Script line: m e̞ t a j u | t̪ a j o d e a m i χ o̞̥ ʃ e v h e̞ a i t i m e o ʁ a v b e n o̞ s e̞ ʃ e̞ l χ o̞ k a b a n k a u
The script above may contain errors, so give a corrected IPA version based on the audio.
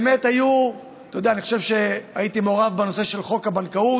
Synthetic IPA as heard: m e̞ t a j u | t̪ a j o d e a n i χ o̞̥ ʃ e v ʃ e̞ a i t i m e o ʁ a v b e n o̞ s e̞ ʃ e̞ l χ o̞ k a b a n k a u